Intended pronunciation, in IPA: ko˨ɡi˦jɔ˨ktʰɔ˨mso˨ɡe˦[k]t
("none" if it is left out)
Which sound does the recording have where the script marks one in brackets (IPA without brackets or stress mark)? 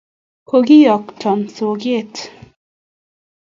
none